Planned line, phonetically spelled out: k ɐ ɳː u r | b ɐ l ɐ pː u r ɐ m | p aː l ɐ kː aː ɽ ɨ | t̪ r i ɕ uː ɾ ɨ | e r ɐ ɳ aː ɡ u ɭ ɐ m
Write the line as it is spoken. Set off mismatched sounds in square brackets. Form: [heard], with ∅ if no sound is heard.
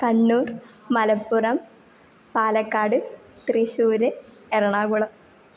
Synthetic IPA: k ɐ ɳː [uː] r | [m] ɐ l ɐ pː u r ɐ m | p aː l ɐ kː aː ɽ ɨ | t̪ r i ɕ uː ɾ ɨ | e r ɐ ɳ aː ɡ u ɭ ɐ m